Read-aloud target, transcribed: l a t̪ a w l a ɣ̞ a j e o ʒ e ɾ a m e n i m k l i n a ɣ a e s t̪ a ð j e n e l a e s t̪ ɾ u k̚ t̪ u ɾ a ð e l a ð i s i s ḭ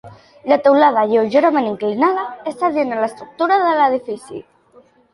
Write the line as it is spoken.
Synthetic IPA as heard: l a t̪ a w l a ð̞ a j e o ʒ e ɾ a m e n i ŋ k l i n a ð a e s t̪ a ð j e n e l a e s t̪ ɾ u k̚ t̪ u ɾ a ð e l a ð i f i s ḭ

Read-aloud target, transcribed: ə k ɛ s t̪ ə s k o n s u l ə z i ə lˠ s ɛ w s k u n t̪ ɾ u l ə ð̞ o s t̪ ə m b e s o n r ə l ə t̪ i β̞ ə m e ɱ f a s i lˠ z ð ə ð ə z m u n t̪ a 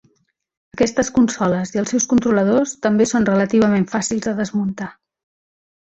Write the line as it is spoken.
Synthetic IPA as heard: ə k ɛ s t̪ ə s k u n s ɔ l ə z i ə lˠ s ɛ w s k u n t̪ ɾ u l ə ð̞ o s t̪ ə m b e s o n r ə l ə t̪ i β̞ ə m e ɱ f a s i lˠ z ð ə ð ə z m u n t̪ a

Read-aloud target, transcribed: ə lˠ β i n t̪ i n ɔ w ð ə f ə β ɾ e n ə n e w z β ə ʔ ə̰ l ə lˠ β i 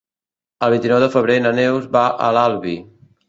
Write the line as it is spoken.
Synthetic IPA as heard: ə lˠ β i n t̪ i n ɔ w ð ə f ə β ɾ e n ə n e w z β a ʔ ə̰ l a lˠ β i

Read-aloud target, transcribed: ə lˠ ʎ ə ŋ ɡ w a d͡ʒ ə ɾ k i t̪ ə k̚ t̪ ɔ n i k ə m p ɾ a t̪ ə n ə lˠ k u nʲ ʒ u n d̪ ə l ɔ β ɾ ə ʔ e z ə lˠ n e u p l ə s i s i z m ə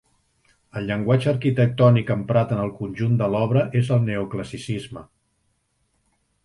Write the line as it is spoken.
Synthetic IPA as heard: ə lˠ ʎ ə ŋ ɡ w a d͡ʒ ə ɾ k i t̪ ə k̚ t̪ ɔ n i k ə m p ɾ a t̪ ə n ə lˠ k u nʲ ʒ u n d̪ ə l ɔ β ɾ ə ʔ e z ə lˠ n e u k l ə s i s i z m ə

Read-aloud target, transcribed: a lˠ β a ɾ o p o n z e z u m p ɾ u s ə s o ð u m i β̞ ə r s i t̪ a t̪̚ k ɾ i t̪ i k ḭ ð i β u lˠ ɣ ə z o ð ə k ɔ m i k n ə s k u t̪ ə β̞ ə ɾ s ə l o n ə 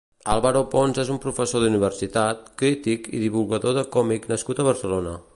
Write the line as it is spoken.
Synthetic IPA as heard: a lˠ β a ɾ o p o n z e z u m p ɾ u f ə s o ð u n i β̞ ə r s i t̪ a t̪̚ k ɾ i t̪ i k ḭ ð i β u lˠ ɣ ə ð o ð ə k ɔ m i k n ə s k u t̪ ə β̞ ə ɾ s ə l o n ə

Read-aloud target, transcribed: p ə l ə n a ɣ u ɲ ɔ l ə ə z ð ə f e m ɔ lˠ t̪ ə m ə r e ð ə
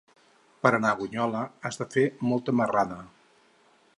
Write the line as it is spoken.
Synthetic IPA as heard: p ə ɾ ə n a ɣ u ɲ ɔ l ə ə z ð ə f e m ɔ lˠ t̪ ə m ə r a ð ə

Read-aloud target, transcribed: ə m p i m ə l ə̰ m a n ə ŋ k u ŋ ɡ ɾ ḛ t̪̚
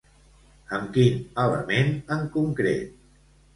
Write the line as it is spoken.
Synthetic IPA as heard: ə m k i n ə l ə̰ m e n ə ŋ k u ŋ k ɾ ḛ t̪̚

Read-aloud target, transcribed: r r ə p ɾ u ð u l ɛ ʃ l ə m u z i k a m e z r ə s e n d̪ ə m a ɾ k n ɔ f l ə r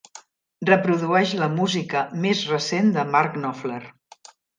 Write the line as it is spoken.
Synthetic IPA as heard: r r ə p ɾ u ð u ɛ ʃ l ə m u z i k ə m e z r ə s e n d̪ ə m a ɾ k n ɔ f l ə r

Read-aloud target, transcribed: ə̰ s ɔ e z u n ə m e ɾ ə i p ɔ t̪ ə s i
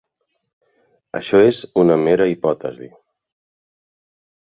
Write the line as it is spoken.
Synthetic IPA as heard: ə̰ ʃ ɔ e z u n ə m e ɾ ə i p ɔ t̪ ə z i

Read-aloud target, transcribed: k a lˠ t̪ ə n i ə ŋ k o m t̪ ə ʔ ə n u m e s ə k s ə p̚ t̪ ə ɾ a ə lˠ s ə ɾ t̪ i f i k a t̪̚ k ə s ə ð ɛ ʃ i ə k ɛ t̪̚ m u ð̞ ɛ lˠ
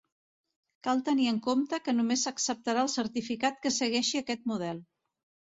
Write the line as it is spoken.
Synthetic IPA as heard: k a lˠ t̪ ə n i ə ŋ k o m t̪ ə k ə n u m e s ə k s ə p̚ t̪ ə ɾ a ə lˠ s ə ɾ t̪ i f i k a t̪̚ k ə s ə ɣ ɛ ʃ i ə k ɛ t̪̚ m u ð̞ ɛ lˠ

